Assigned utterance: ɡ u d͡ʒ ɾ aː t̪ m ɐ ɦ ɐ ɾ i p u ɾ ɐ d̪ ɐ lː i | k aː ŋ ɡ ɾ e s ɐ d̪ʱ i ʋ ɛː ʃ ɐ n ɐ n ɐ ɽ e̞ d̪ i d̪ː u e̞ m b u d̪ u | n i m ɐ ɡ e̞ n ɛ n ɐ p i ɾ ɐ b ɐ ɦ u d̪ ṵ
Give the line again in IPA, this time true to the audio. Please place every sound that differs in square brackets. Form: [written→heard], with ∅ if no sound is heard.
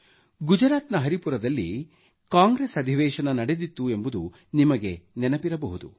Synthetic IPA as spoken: ɡ u d͡ʒ ɾ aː t̪ [m→n] ɐ ɦ ɐ ɾ i p u ɾ ɐ d̪ ɐ lː i | k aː ŋ ɡ ɾ e s ɐ d̪ʱ i ʋ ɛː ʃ ɐ n ɐ n ɐ ɽ e̞ d̪ i [d̪ː→t̪ː] u e̞ m b u d̪ u | n i m ɐ ɡ e̞ n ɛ n ɐ p i ɾ ɐ b ɐ ɦ u d̪ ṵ